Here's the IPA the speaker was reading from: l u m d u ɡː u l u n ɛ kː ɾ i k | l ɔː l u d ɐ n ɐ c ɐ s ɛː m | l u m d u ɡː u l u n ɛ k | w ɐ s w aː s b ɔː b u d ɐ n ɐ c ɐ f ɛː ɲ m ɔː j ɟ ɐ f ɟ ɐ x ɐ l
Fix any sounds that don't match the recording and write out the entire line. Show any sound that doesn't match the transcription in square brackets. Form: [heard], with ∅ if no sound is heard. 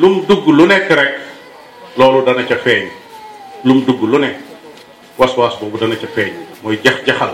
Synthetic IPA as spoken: l u m d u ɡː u l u n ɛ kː ɾ [ɛ] k | l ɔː l u d ɐ n ɐ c ɐ [f] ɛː [ɲ] | l u m d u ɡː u l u n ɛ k | w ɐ s w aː s b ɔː b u d ɐ n ɐ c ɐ f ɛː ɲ m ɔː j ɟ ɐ [x] ɟ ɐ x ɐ l